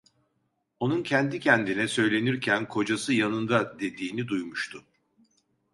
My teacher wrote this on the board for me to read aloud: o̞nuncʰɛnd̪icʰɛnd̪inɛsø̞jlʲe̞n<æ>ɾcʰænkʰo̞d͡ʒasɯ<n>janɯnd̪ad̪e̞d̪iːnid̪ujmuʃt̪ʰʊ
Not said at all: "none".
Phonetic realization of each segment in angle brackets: i, none

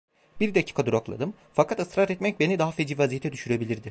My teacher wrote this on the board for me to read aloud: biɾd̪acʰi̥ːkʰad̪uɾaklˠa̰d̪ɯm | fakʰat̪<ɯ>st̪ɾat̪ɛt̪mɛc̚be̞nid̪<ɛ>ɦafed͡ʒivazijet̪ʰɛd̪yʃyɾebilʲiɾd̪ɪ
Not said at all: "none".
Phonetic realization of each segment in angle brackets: ɯ, a

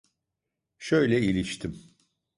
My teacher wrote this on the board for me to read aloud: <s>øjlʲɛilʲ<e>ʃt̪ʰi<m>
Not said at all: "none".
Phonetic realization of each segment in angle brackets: ʃ, i, m

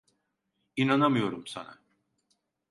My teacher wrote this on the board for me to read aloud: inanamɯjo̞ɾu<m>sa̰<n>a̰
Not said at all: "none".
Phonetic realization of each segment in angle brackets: m, n

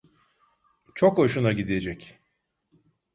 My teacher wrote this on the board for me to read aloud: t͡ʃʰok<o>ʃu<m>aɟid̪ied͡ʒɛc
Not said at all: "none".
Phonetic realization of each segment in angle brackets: o, n

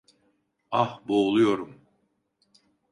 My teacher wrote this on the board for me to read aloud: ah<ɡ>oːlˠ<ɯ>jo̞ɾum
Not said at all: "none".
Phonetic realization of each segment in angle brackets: b, u

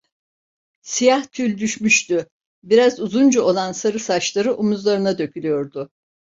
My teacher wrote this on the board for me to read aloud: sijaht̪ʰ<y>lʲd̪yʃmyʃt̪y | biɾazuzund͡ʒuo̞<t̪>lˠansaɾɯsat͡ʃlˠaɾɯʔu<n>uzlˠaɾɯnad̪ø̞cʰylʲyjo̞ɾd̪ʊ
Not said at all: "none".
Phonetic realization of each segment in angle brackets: y, none, m

